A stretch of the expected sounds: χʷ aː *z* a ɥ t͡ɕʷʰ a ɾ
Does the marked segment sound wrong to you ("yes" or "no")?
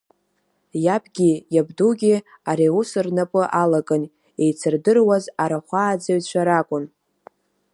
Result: yes